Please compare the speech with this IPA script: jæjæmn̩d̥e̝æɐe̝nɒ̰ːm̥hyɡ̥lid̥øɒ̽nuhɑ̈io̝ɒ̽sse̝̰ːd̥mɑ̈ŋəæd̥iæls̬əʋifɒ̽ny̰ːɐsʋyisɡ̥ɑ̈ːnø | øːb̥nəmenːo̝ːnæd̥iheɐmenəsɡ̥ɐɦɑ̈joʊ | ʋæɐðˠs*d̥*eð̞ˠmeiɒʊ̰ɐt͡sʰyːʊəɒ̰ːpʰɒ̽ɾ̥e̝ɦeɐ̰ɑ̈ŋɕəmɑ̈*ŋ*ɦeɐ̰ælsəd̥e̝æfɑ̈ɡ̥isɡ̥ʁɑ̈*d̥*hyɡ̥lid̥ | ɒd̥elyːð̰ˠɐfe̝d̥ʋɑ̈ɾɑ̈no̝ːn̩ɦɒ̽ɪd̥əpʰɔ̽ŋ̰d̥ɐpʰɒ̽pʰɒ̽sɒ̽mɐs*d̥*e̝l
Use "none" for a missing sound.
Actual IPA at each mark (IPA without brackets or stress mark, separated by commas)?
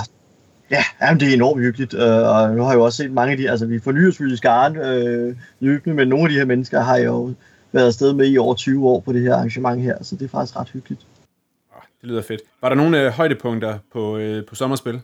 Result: d̥, ŋ, d̥, b̥